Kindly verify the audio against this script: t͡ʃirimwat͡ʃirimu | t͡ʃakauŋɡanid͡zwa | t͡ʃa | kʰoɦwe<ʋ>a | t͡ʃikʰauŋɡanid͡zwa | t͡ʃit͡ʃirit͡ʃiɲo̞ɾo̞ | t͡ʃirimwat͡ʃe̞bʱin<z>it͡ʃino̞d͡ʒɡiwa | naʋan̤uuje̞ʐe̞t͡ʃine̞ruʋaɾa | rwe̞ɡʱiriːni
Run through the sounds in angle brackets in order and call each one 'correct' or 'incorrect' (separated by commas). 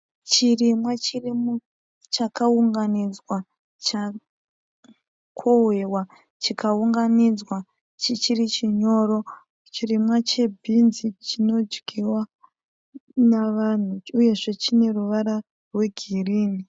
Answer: incorrect, correct